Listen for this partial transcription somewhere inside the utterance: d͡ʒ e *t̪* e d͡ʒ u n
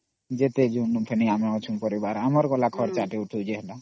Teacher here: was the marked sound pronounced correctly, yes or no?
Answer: yes